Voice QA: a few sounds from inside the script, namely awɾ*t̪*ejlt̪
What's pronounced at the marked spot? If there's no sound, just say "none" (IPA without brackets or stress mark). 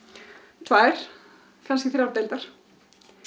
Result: t̪